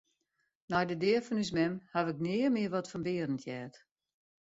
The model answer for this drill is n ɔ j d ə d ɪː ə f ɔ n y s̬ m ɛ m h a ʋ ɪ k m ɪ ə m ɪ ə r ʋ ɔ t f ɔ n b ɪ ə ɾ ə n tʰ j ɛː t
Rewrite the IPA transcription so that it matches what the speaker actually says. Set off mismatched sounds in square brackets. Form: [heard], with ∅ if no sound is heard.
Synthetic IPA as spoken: n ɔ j d ə d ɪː ə f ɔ n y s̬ m ɛ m h a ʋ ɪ k [n] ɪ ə m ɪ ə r ʋ ɔ t f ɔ n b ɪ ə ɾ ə n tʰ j ɛː t